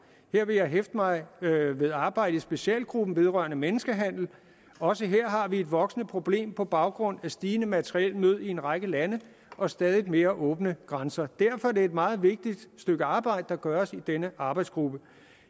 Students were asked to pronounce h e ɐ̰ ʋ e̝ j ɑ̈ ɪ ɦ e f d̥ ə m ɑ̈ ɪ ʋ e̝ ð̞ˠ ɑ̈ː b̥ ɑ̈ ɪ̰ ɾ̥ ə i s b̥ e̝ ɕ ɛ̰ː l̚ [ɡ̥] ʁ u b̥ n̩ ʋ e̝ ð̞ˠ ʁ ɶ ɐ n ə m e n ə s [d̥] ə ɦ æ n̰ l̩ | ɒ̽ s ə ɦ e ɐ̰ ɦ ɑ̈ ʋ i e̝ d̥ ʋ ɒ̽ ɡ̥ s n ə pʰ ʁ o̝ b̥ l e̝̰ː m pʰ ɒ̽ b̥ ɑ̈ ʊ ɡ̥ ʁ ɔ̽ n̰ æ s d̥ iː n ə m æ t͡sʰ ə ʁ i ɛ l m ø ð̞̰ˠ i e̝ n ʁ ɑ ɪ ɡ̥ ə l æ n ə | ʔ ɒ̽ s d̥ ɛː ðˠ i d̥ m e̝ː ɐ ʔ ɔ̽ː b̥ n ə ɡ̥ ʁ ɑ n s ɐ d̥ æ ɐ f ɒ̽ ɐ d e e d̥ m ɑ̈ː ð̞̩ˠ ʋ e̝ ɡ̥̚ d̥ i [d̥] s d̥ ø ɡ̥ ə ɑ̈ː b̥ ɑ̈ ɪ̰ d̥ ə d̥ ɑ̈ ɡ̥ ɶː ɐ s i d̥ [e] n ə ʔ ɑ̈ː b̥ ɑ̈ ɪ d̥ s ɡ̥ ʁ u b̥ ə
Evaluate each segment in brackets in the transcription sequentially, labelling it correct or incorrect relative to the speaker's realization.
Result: correct, incorrect, correct, correct

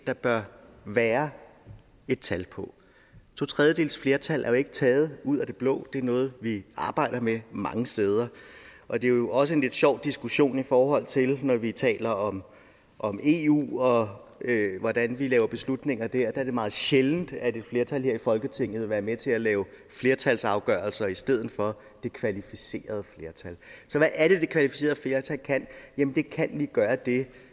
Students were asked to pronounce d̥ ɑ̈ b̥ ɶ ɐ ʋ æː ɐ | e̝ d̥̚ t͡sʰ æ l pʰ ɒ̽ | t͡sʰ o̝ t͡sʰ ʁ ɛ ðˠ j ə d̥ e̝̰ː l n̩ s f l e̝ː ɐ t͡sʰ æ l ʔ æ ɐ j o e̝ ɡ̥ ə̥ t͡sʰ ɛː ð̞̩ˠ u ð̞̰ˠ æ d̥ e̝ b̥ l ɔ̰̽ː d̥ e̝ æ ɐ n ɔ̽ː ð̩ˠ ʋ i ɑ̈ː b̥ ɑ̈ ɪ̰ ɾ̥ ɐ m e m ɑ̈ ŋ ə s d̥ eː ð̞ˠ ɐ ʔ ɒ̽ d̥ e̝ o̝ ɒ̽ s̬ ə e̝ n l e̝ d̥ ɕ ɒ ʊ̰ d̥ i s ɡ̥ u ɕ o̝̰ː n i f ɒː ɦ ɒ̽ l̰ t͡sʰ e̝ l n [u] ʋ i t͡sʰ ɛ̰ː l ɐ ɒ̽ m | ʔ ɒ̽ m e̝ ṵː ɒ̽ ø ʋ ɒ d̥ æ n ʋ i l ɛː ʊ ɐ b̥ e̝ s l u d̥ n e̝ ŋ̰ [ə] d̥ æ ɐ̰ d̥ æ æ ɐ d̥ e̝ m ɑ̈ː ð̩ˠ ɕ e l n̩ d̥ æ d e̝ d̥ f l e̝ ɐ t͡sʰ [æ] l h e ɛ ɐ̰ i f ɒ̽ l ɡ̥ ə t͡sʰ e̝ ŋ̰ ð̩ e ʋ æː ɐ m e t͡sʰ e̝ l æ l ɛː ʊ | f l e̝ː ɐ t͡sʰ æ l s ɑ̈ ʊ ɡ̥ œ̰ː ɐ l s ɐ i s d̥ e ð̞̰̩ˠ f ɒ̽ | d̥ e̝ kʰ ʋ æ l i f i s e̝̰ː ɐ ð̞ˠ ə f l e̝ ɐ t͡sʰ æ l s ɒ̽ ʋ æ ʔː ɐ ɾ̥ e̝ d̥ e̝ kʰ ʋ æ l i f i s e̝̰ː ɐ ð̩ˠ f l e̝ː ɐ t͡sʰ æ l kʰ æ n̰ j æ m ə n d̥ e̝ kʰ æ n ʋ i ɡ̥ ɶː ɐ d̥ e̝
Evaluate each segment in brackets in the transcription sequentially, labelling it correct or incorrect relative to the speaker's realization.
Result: incorrect, incorrect, correct

